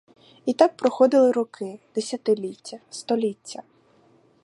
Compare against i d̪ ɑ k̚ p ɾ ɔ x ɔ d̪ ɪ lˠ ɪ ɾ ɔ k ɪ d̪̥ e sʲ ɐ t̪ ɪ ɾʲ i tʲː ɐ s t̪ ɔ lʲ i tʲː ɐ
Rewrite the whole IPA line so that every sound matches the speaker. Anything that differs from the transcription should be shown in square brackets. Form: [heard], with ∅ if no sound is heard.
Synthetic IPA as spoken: i [t̪] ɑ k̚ p ɾ ɔ x ɔ d̪ ɪ lˠ ɪ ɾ ɔ k ɪ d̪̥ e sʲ ɐ t̪ ɪ [lʲ] i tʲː ɐ s t̪ ɔ lʲ i tʲː ɐ